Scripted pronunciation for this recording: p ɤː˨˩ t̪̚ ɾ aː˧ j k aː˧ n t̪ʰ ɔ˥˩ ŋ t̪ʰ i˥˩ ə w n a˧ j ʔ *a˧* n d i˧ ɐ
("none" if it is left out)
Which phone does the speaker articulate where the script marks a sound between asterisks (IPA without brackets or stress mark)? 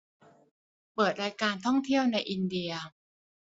i˧